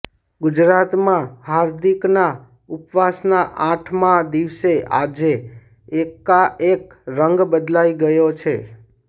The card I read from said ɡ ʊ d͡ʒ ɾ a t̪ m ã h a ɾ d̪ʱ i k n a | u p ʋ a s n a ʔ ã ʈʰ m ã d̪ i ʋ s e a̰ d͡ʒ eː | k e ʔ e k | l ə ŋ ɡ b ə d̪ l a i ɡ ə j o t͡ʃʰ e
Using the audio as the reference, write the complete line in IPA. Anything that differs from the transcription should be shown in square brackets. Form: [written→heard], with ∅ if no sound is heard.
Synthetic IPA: ɡ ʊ d͡ʒ ɾ a t̪ m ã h a ɾ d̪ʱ i k n a | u p ʋ a s n a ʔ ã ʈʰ m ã d̪ i ʋ s e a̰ d͡ʒ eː | k [e→a] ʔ e k | [l→ɾ] ə ŋ ɡ b ə d̪ l a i ɡ ə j o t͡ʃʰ e